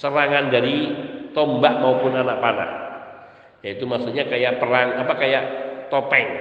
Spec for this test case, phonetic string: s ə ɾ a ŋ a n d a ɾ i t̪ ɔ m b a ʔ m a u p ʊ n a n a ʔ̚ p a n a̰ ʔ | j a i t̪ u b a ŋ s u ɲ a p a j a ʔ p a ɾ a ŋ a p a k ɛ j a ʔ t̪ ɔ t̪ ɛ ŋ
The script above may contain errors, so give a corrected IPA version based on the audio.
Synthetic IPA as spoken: s ə ɾ a ŋ a n d a ɾ i t̪ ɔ m b a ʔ m a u p ʊ n a n a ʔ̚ p a n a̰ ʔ | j a i t̪ u m a s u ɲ a k a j a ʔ p ə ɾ a ŋ a p a k a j a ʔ t̪ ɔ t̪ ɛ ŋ